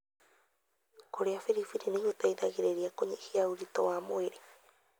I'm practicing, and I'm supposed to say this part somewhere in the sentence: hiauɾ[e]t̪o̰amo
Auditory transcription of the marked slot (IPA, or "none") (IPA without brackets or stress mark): i